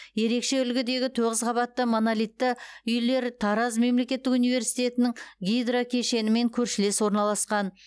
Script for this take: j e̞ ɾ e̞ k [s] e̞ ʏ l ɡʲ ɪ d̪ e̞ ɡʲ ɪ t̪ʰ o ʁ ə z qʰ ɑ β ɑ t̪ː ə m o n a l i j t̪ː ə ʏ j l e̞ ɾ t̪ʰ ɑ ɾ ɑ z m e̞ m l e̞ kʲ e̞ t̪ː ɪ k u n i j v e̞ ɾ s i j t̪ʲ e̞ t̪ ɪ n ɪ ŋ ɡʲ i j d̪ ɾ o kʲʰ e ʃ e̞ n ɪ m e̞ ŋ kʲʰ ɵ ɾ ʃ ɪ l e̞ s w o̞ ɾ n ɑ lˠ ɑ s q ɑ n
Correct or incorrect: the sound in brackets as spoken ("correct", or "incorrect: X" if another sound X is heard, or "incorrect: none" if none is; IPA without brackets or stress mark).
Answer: incorrect: ʃ